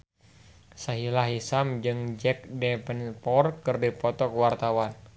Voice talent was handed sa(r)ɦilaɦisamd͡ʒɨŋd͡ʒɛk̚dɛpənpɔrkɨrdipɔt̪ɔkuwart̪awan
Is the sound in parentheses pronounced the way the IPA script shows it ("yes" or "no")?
no